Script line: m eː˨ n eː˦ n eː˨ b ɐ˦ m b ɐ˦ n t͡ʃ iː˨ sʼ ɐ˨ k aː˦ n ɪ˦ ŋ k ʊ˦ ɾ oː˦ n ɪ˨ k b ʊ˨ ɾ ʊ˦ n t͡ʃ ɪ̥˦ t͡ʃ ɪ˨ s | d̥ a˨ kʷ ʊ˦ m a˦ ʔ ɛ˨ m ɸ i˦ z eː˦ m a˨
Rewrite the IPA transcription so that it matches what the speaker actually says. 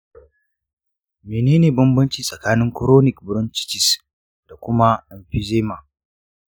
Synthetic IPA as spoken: m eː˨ n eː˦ n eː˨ b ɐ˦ m b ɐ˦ n t͡ʃ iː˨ sʼ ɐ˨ k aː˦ n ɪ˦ ŋ k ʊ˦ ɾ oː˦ n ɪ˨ k b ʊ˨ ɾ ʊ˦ n t͡ʃ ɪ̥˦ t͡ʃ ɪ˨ s | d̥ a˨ kʷ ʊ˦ m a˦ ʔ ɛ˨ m ɸ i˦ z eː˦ m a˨